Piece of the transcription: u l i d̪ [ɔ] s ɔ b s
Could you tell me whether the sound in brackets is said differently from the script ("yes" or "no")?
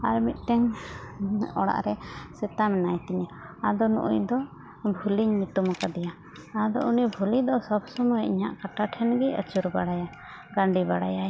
no